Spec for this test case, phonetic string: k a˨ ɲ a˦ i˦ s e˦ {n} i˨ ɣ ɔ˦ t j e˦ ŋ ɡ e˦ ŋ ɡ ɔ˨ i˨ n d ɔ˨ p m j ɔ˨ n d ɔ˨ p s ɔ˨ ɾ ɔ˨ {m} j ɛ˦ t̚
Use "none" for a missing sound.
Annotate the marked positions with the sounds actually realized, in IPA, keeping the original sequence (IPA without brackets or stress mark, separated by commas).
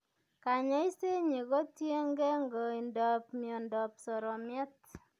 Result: ɲ, m